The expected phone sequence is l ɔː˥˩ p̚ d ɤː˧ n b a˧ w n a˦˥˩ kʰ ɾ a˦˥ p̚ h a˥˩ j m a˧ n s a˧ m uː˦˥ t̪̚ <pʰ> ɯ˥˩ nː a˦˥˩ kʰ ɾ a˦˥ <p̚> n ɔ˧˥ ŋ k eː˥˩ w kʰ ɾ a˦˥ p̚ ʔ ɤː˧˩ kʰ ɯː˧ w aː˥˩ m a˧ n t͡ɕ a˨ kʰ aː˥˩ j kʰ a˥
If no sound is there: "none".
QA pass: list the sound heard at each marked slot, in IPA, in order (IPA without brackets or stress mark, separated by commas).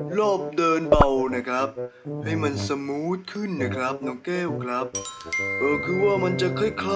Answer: kʰ, p̚